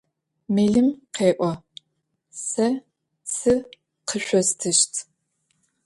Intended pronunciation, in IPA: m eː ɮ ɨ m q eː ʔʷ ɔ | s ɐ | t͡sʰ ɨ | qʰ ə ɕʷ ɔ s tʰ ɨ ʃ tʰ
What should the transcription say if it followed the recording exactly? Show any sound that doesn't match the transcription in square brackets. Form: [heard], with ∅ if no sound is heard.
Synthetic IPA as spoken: m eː ɮ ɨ m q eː ʔʷ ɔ | s ɐ | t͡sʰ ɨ | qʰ ə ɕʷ ɔ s tʰ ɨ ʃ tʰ